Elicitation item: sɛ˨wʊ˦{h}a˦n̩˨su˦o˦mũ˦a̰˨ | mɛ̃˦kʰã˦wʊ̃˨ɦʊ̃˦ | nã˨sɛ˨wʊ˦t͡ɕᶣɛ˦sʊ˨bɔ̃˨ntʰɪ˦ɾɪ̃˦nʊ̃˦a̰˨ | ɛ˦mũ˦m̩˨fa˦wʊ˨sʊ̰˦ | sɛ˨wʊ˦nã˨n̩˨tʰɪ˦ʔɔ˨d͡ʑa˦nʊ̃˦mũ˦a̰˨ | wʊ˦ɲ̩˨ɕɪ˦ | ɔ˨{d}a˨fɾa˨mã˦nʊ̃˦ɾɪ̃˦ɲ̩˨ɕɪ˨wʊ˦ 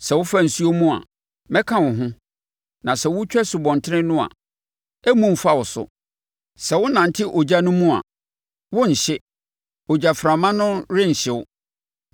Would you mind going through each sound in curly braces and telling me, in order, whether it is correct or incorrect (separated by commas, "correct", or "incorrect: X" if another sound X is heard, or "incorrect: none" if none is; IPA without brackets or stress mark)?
incorrect: f, incorrect: d͡ʑ